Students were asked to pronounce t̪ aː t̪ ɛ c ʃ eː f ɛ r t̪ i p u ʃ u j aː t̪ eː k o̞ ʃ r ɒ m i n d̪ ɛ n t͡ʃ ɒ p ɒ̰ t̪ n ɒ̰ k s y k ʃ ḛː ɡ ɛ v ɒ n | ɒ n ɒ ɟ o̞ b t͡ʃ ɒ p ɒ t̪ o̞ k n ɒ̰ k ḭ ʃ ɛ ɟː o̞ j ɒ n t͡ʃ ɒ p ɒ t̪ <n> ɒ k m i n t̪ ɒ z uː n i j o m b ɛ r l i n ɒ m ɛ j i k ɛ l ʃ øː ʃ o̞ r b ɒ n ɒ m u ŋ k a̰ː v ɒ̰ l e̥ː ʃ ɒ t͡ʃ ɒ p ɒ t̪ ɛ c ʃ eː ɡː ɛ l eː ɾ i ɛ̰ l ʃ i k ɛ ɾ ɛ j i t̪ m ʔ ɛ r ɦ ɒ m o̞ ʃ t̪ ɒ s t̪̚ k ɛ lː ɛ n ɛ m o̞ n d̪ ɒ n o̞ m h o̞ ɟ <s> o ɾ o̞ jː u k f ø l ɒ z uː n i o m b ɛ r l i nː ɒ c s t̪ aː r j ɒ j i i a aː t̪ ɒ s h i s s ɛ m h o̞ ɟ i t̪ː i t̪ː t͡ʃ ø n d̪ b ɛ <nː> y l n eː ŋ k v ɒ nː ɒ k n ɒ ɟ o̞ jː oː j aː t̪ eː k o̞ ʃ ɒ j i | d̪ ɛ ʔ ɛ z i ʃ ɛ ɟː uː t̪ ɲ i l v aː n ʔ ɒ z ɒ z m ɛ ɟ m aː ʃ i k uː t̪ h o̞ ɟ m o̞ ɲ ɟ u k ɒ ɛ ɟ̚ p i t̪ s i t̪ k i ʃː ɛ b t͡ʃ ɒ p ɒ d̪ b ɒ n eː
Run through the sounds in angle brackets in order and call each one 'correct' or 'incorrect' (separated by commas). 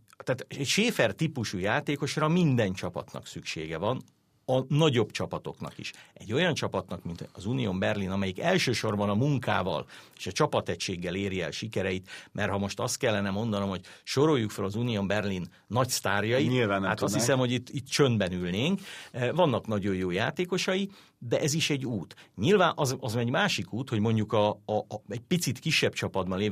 correct, incorrect, incorrect